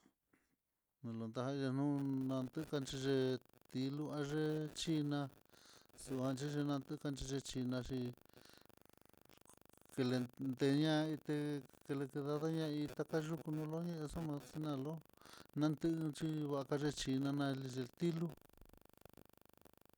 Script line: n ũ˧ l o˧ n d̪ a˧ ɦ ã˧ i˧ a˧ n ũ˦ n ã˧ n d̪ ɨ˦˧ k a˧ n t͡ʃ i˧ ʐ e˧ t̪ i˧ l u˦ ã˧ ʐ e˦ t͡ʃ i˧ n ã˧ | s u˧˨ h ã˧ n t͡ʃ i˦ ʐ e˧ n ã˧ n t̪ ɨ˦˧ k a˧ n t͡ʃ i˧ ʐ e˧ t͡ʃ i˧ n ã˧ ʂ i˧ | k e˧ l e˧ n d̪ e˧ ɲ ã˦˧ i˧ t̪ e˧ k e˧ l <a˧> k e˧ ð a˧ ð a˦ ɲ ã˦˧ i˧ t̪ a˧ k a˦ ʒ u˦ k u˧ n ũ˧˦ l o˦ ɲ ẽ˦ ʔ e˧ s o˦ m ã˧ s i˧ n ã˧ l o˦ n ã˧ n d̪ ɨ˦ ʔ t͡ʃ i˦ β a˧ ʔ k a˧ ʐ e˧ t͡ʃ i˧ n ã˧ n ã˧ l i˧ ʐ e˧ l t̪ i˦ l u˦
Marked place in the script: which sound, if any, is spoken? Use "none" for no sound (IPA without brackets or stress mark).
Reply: e˧